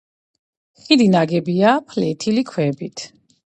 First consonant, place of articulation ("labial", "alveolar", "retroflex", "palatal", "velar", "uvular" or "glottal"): uvular